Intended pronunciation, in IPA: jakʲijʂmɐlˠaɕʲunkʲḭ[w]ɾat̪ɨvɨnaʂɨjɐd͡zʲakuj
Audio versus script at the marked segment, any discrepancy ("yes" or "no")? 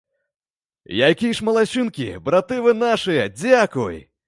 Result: yes